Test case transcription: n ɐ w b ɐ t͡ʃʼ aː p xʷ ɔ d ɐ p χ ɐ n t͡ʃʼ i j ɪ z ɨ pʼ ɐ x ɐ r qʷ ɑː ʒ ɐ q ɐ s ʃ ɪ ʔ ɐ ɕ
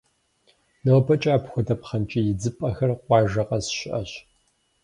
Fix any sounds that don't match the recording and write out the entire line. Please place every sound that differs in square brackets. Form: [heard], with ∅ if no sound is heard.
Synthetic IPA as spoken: n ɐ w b ɐ t͡ʃʼ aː p xʷ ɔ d ɐ p χ ɐ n t͡ʃʼ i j ɪ [d͡z] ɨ pʼ ɐ x ɐ r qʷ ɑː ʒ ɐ q ɐ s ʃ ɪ ʔ ɐ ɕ